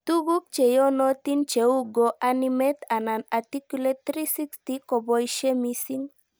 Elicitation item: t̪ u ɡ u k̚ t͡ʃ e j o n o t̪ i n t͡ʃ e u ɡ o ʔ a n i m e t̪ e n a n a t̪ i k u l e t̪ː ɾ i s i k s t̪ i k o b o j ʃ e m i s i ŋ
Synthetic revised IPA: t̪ u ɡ u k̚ t͡ʃ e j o n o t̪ i n t͡ʃ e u ɡ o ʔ a n i m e t̪ a n a n a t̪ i k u l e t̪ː ɾ i s i k s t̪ i k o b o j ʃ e m i s i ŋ